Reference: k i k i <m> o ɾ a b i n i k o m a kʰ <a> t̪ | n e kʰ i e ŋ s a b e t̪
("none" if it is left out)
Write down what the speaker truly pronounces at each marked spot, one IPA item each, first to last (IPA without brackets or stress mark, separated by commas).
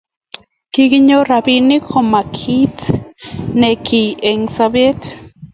ɲ, i